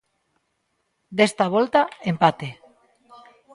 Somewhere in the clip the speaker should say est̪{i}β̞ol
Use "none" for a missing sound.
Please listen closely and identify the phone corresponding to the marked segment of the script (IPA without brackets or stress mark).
a